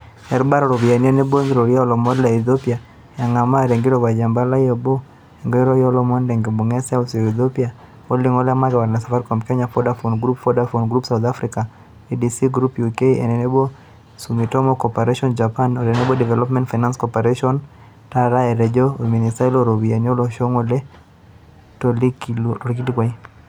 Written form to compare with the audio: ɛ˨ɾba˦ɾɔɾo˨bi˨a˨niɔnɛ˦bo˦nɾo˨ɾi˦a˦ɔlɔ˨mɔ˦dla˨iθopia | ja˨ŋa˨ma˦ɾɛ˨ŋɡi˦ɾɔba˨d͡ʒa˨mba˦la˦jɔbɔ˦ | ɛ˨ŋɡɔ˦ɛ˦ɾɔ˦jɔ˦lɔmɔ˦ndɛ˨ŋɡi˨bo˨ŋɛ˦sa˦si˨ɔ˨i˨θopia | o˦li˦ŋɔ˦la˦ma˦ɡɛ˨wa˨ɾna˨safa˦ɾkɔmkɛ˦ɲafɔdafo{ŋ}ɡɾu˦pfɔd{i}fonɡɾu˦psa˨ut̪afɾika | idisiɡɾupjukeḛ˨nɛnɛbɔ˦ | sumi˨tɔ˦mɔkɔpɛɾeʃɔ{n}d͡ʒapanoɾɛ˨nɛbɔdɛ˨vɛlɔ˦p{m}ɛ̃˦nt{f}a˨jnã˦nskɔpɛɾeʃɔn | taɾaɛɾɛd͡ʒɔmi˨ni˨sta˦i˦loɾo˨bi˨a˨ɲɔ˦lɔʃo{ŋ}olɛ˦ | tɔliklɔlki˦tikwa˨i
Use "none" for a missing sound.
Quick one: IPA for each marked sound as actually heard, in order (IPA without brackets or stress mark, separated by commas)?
n, a, n, m, f, ŋ